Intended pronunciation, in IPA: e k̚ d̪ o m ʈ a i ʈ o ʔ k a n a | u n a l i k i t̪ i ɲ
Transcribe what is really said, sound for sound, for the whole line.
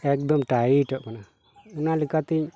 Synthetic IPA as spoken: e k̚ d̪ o m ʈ a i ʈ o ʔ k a n a | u n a l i k a t̪ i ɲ

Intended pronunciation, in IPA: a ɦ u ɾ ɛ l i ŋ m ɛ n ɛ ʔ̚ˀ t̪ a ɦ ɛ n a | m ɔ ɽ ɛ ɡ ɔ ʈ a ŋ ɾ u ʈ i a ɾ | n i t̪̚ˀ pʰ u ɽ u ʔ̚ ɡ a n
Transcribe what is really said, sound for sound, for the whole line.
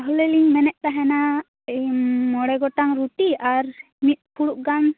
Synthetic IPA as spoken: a ɦ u l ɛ l i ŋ m ɛ n ɛ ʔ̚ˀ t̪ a ɦ ɛ n a | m ɔ ɽ ɛ ɡ ɔ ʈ a ŋ ɾ u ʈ i a ɾ | m i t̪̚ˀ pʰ u ɽ u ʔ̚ ɡ a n

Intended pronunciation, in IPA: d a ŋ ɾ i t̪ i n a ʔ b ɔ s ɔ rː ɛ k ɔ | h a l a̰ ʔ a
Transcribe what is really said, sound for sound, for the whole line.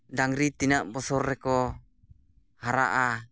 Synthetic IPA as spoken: d a ŋ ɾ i t̪ i n a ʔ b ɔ s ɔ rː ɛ k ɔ | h a ɾ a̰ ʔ a

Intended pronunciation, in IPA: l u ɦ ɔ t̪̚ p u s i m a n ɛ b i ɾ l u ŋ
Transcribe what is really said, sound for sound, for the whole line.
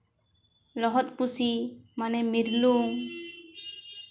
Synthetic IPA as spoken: l ɔ ɦ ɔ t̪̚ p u s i m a n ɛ m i ɾ l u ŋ

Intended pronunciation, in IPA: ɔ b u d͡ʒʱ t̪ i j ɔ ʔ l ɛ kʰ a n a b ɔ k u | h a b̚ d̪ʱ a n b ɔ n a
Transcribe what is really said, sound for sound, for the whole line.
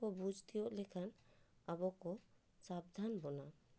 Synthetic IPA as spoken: ɔ b u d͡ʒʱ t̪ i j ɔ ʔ l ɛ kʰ a n a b ɔ k ɔ | s a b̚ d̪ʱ a n b ɔ n a

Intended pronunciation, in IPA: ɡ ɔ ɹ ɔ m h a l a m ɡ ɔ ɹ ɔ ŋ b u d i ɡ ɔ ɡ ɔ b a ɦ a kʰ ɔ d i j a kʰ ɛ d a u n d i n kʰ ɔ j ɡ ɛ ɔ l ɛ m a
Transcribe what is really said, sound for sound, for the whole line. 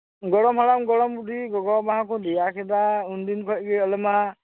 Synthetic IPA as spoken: ɡ ɔ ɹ ɔ m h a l a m ɡ ɔ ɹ ɔ m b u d i ɡ ɔ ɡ ɔ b a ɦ a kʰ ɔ d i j a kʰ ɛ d a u n d i n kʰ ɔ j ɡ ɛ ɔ l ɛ m a

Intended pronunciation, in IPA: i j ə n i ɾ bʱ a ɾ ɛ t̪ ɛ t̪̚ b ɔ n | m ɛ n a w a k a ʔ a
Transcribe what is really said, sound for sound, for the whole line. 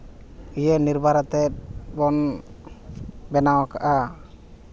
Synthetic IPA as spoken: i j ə n i ɾ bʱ a ɾ a t̪ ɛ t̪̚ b ɔ n | b ɛ n a w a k a ʔ a

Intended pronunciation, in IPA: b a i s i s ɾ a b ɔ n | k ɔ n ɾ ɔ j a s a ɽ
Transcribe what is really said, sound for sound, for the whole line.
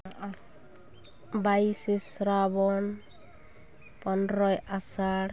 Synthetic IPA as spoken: b a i s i s ɾ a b ɔ n | p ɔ n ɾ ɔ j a s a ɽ

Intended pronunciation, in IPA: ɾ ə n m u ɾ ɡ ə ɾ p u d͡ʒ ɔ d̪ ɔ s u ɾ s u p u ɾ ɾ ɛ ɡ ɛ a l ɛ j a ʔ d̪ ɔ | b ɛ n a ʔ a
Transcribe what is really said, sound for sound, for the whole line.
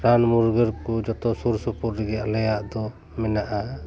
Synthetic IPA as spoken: ɾ a n m u ɾ ɡ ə ɾ k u d͡ʒ ɔ t̪ ɔ s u ɾ s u p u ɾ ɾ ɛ ɡ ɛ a l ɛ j a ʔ d̪ ɔ | m ɛ n a ʔ a

